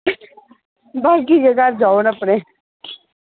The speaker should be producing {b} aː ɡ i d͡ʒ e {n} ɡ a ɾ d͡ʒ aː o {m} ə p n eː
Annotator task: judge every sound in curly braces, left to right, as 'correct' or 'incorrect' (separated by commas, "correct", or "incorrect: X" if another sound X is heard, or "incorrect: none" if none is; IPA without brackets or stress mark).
correct, incorrect: none, incorrect: n